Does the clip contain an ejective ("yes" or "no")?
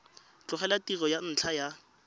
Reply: no